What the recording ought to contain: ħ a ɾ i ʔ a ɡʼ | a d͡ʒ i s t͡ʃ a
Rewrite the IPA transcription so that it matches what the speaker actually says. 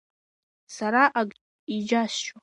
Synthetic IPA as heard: s a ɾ a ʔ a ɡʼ | i d͡ʒ a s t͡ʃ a